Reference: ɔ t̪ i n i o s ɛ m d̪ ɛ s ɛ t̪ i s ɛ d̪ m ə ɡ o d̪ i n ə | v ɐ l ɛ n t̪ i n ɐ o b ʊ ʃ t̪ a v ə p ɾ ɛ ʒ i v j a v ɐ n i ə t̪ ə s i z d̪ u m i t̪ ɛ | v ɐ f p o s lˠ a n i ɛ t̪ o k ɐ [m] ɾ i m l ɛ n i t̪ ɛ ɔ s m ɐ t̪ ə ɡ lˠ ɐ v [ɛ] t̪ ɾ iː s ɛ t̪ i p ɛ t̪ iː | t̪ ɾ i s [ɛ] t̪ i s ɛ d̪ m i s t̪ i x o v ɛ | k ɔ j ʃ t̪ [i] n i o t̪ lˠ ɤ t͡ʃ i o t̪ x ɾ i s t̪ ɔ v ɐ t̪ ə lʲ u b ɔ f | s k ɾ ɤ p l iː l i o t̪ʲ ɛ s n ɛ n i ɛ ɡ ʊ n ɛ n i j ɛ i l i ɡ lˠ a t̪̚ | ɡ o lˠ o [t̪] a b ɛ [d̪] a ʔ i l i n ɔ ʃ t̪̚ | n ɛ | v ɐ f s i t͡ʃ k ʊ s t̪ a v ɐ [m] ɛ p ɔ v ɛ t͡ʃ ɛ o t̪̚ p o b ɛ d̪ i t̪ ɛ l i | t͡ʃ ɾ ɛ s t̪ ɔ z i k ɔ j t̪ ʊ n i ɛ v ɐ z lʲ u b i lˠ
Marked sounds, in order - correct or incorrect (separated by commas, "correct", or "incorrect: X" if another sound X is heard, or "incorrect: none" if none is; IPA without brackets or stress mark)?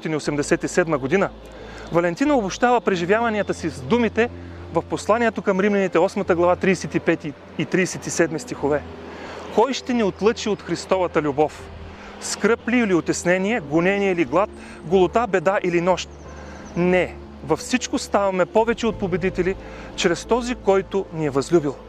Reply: correct, incorrect: a, correct, incorrect: ɛ, correct, correct, correct